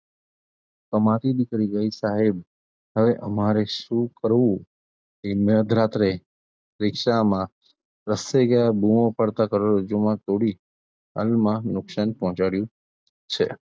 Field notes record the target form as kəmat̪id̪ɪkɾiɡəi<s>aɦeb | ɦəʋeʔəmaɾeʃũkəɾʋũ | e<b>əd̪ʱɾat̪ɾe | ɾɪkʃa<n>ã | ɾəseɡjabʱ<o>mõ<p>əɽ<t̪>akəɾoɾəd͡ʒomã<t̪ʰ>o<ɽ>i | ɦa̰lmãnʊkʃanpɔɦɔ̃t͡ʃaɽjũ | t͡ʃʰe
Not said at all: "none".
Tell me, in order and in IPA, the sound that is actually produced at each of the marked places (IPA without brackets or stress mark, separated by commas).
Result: s, m, m, u, p, t̪, t̪, ɽ